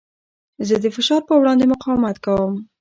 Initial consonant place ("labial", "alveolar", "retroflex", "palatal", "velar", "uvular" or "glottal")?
alveolar